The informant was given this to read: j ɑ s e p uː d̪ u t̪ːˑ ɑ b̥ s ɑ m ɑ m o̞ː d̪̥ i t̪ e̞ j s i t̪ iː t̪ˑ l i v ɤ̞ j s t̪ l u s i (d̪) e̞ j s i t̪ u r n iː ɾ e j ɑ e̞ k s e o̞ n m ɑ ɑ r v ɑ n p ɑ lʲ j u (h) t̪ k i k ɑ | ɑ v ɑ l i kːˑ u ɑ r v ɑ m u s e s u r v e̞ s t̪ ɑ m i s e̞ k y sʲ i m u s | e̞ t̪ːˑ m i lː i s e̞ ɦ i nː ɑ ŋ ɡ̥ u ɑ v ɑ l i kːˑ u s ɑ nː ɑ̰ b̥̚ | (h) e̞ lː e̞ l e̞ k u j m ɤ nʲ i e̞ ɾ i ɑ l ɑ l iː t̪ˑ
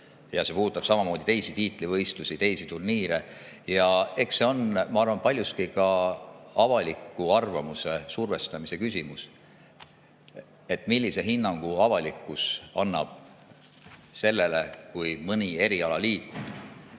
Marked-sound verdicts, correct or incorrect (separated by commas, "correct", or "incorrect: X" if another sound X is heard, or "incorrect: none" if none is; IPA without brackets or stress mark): incorrect: t̪, incorrect: s, incorrect: s